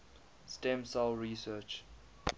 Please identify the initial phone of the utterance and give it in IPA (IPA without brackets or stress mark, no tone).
s